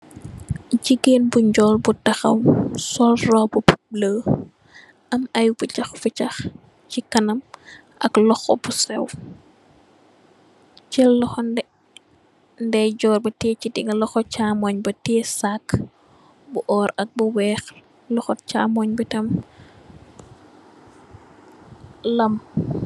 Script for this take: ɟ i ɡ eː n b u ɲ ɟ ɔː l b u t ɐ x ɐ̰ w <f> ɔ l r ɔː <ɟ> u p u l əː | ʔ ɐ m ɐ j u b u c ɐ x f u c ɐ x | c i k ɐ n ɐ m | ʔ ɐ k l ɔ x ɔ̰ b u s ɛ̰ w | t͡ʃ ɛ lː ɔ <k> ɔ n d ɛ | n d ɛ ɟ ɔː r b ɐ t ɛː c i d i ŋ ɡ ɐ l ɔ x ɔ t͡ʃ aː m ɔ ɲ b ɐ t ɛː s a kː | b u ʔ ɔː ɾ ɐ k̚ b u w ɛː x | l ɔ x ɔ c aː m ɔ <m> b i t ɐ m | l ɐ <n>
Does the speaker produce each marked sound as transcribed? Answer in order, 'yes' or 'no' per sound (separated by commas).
no, no, no, no, no